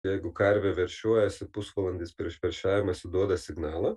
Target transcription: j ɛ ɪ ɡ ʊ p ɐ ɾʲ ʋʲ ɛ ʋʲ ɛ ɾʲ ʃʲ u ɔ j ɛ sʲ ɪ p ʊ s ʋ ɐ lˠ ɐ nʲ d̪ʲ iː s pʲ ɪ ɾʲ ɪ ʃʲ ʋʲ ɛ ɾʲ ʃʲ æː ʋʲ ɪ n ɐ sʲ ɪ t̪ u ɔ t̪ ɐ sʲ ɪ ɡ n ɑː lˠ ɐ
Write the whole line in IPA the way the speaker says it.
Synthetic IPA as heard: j ɛ ɪ ɡ ʊ k ɐ ɾʲ ʋʲ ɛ ʋʲ ɛ ɾʲ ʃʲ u ɔ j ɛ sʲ ɪ p ʊ s ʋ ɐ lˠ ɐ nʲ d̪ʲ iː s pʲ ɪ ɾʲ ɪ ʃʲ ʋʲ ɛ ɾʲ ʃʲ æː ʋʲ ɪ m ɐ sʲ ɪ d̪ u ɔ d̪ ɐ sʲ ɪ ɡ n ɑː lˠ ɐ